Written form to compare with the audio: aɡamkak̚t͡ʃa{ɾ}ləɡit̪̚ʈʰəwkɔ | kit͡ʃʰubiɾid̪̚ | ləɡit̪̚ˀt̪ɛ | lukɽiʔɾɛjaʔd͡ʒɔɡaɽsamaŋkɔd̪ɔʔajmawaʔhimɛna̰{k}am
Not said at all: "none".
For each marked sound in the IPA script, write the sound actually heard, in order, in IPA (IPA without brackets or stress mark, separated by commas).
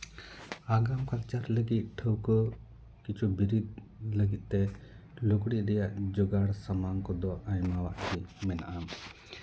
ɾ, ʔ